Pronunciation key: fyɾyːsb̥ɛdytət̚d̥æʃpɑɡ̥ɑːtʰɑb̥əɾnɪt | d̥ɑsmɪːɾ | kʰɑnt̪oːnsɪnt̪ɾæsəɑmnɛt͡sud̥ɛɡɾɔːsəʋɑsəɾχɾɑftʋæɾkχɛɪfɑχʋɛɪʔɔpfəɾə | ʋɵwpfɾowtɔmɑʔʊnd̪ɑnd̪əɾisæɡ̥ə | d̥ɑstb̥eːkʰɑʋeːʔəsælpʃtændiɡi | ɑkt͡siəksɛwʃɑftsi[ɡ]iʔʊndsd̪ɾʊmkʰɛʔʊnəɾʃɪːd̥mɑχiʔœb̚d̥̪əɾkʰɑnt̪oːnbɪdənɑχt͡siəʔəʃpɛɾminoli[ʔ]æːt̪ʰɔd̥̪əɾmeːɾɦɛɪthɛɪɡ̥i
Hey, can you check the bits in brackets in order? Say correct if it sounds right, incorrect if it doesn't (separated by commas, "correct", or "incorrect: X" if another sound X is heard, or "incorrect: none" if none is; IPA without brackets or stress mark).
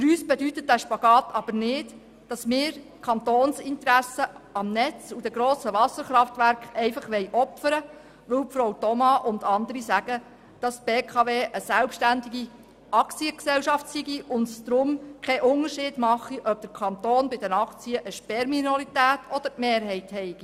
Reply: correct, incorrect: t